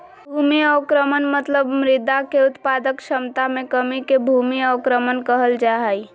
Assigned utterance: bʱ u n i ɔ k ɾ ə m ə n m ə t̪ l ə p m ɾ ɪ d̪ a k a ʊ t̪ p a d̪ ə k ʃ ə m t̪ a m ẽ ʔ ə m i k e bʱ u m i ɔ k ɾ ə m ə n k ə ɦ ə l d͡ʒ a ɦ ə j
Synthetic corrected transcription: bʱ u m i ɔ k ɾ ə m ə n m ə t̪ l ə b m ɾ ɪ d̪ a k e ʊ t̪ p a d̪ ə k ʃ ə m t̪ a m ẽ k ə m i k e bʱ u m i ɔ k ɾ ə m ə n k ə ɦ ə l d͡ʒ a ɦ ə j